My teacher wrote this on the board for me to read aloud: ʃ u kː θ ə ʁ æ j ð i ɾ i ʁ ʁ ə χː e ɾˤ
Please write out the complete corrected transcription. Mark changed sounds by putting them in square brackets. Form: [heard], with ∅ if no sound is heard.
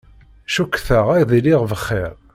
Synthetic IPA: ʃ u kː θ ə ʁ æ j ð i [l] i ʁ [v] ə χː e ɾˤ